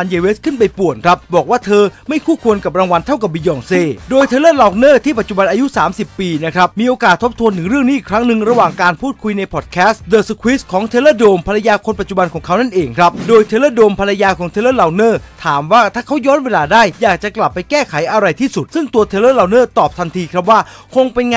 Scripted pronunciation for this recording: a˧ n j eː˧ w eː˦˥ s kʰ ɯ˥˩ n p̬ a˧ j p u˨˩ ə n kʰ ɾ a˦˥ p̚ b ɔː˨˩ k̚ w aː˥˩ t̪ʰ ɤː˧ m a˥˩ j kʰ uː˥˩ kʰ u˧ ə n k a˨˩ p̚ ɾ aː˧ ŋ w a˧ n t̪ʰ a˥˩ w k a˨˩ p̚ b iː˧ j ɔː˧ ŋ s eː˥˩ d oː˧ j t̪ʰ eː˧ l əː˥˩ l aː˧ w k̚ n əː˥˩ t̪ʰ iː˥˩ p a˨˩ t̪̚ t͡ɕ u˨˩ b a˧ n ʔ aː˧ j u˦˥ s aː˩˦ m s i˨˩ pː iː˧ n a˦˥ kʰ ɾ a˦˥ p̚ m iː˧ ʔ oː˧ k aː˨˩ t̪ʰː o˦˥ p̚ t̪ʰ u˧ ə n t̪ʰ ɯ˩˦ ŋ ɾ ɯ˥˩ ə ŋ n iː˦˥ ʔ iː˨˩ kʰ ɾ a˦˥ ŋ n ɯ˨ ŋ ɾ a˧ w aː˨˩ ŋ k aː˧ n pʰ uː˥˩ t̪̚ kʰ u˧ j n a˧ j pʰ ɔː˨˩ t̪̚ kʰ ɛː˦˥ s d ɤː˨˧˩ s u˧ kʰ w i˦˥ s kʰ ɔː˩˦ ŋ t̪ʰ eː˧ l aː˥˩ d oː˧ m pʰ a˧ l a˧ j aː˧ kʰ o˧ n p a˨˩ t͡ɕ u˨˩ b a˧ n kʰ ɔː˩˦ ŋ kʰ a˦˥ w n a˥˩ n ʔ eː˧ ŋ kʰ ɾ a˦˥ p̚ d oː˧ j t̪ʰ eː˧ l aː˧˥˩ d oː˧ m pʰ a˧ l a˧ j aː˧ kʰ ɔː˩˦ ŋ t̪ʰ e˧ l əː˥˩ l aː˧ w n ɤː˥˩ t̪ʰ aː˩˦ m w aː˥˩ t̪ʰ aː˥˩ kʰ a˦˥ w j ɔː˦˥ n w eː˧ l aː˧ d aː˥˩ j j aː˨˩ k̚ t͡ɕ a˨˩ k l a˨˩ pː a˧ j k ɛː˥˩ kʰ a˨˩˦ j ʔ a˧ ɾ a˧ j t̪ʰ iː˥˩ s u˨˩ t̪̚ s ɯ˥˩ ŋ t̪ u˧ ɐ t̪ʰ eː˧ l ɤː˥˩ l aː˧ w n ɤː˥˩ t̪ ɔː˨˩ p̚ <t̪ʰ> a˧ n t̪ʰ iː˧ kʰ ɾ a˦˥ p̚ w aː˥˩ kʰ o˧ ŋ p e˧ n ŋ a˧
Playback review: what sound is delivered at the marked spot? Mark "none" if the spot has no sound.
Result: t̪ʰ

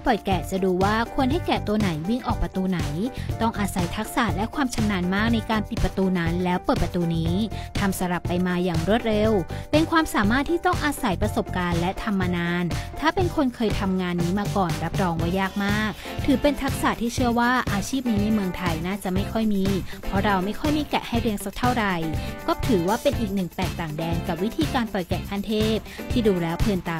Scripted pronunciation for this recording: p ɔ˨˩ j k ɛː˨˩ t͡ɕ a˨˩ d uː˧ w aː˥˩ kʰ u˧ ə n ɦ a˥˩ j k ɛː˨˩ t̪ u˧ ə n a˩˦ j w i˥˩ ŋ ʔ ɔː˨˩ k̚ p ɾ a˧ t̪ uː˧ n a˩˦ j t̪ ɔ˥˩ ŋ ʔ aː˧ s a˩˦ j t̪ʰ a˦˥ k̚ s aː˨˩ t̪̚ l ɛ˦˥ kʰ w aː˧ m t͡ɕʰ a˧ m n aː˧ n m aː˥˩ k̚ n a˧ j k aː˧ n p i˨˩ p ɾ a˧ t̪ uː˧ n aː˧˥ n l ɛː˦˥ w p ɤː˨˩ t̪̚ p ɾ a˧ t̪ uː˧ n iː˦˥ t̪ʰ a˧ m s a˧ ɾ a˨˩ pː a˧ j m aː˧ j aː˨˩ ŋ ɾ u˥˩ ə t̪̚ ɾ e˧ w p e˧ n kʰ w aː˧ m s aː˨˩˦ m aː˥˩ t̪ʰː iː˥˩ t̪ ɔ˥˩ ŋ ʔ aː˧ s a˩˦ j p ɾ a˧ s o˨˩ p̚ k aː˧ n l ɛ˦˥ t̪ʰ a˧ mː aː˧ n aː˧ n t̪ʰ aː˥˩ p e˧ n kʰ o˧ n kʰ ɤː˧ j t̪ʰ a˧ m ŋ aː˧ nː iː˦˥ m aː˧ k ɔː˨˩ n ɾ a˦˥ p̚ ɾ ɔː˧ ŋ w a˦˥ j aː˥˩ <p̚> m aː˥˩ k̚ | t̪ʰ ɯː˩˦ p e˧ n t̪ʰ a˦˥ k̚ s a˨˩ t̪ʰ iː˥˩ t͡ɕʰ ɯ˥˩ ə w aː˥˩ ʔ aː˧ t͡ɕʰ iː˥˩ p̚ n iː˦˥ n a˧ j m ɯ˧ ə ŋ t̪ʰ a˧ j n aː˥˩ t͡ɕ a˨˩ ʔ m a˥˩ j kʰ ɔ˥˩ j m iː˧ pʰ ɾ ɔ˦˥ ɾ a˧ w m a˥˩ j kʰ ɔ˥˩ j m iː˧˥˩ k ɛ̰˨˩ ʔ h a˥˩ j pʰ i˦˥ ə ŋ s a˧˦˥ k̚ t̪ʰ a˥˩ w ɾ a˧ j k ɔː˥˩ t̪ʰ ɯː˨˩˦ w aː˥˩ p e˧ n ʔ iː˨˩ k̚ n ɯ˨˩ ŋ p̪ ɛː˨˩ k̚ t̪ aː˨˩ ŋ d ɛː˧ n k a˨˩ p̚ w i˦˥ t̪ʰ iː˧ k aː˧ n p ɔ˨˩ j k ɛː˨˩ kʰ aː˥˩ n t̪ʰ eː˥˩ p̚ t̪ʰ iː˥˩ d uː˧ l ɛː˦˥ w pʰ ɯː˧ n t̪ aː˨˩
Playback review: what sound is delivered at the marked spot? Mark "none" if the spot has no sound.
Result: k̚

